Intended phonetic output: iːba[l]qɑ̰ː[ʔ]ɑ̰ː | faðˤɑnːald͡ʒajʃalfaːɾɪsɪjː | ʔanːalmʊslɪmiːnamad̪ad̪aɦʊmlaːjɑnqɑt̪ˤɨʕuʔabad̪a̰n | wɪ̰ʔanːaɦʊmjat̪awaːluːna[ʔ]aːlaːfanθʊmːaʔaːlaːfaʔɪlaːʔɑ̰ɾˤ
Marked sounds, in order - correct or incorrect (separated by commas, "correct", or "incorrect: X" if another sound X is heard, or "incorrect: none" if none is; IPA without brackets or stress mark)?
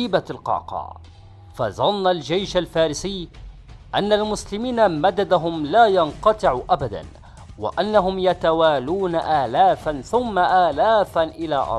correct, incorrect: q, correct